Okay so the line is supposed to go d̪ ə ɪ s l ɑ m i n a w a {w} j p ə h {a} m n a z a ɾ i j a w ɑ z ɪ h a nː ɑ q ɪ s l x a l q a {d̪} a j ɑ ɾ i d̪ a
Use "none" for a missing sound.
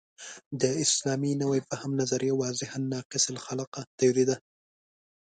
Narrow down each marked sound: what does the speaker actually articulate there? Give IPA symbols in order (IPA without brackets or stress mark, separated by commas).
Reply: none, a, t̪